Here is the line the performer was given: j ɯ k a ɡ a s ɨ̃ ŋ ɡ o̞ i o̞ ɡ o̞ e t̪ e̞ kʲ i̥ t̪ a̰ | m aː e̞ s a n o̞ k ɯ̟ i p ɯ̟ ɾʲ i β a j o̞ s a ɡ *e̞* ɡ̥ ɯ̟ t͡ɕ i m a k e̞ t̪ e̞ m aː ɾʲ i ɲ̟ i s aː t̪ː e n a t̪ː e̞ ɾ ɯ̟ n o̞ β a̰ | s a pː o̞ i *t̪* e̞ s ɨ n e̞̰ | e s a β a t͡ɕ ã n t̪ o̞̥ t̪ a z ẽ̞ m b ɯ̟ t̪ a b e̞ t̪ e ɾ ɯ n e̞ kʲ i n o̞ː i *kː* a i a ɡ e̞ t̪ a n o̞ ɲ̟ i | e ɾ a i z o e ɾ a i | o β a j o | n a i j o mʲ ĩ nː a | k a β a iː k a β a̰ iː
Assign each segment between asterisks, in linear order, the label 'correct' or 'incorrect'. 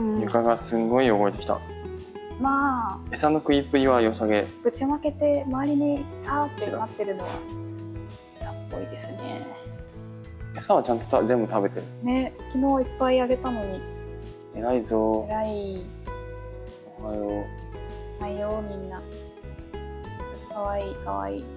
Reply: correct, incorrect, incorrect

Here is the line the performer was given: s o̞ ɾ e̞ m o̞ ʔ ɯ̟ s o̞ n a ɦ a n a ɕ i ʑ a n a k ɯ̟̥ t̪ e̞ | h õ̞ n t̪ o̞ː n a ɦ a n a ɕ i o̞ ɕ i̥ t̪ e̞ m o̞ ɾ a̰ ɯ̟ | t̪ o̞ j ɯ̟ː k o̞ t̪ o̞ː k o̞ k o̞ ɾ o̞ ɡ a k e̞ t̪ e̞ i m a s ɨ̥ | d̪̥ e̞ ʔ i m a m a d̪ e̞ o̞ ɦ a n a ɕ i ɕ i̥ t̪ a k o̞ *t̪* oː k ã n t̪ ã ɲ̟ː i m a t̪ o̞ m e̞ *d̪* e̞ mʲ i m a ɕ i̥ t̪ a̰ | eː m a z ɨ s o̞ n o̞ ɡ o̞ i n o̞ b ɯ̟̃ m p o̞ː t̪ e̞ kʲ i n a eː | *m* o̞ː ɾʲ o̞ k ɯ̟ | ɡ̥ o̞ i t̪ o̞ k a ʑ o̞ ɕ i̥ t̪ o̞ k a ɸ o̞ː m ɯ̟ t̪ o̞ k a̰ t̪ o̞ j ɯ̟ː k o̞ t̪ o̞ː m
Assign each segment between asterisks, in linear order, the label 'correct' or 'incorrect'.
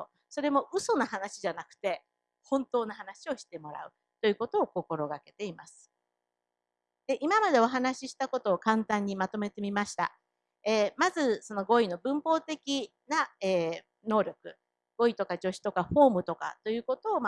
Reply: correct, incorrect, incorrect

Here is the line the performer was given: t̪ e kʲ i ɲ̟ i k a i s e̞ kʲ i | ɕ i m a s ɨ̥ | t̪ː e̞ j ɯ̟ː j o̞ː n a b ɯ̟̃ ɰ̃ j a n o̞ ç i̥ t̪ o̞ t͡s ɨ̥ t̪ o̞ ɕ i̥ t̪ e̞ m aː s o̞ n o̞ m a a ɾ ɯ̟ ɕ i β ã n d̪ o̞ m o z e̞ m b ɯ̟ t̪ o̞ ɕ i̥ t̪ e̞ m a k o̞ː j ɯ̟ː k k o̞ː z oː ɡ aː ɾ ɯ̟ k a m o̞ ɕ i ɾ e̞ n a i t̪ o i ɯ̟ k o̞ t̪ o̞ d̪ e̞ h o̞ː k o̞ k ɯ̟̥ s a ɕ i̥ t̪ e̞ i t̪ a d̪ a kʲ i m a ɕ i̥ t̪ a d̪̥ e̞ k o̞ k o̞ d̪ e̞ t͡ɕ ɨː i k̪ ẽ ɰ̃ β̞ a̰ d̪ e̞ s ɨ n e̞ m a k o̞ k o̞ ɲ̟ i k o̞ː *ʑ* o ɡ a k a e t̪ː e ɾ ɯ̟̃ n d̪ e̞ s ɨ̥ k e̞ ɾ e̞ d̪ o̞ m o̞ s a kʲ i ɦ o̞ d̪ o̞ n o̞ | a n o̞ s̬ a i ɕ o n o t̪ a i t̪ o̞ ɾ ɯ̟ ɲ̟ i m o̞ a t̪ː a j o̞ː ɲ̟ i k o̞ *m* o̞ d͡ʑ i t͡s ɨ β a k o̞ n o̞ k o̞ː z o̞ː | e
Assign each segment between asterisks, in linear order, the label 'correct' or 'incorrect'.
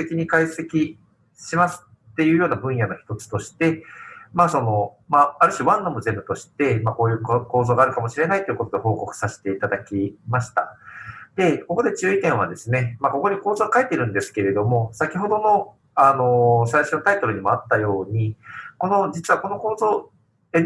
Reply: incorrect, incorrect

